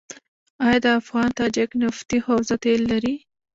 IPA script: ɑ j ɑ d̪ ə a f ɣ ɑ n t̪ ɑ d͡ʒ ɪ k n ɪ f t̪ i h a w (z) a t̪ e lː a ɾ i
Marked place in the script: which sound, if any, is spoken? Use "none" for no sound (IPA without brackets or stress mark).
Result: z